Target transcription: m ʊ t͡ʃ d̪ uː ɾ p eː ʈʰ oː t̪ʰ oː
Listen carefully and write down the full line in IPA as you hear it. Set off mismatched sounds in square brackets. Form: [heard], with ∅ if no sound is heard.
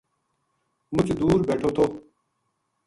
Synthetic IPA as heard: m ʊ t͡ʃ d̪ uː ɾ [b] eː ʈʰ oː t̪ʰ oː